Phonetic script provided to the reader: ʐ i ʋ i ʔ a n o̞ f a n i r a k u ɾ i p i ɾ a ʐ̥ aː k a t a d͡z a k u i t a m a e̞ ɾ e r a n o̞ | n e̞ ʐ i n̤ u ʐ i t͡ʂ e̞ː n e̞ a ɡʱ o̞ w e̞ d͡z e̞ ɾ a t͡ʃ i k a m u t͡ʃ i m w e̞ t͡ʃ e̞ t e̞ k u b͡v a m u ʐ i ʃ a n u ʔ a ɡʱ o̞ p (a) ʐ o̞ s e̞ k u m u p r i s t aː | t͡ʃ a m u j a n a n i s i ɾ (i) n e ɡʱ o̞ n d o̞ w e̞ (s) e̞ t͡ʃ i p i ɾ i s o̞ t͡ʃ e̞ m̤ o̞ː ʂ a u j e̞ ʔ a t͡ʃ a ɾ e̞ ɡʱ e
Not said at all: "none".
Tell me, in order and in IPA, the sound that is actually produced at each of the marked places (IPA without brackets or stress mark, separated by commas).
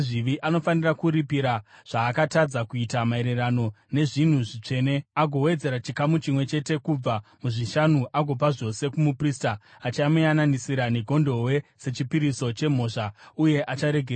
a, a, s